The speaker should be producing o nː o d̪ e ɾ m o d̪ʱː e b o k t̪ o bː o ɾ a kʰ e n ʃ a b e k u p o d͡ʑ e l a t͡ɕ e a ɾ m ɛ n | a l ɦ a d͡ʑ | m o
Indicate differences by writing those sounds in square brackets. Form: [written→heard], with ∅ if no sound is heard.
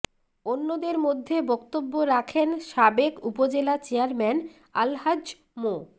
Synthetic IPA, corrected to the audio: o nː o d̪ e ɾ m o d̪ʱː e b [o→ɔ] k t̪ o bː o ɾ a kʰ e n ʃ a b e k u p o d͡ʑ e l a t͡ɕ e a ɾ m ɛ n | a l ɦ a d͡ʑ | m o